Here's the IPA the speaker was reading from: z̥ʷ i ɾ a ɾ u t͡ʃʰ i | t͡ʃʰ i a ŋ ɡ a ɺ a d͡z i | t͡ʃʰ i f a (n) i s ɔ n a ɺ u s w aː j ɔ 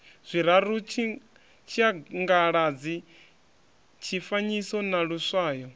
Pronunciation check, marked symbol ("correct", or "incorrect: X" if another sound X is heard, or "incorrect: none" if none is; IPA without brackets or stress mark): incorrect: ɲ